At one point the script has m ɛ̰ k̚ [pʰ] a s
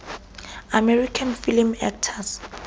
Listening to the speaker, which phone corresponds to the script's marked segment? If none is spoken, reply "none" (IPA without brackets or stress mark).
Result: tʰ